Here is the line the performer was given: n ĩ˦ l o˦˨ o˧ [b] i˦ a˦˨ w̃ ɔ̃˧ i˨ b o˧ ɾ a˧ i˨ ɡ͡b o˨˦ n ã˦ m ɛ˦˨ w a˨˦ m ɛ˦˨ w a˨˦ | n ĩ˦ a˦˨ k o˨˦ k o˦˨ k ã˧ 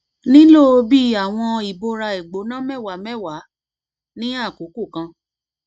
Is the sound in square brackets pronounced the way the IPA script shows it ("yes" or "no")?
yes